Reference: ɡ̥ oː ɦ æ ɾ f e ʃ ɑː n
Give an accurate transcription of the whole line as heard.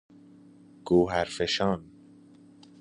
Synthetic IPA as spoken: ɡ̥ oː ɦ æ ɾ f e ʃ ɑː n